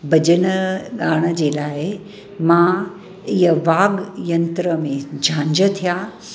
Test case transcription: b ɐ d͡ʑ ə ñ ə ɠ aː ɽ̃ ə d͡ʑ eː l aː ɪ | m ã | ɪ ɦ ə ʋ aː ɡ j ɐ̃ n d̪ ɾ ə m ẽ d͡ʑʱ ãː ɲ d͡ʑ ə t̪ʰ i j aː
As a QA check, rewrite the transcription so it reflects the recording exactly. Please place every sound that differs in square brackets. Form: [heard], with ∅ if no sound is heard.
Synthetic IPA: b ɐ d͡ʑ ə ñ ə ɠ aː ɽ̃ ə d͡ʑ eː l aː ɪ | m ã | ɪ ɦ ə ʋ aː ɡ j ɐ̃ n [t̪] ɾ ə m ẽ d͡ʑʱ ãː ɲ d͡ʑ ə t̪ʰ i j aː